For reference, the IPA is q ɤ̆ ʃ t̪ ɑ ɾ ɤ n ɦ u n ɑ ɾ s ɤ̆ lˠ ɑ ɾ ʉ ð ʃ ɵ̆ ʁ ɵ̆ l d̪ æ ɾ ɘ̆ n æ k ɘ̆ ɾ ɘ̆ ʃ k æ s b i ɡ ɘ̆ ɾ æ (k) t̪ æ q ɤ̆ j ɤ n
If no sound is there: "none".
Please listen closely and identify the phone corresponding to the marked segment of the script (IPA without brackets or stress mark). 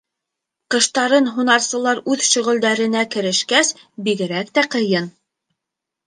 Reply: k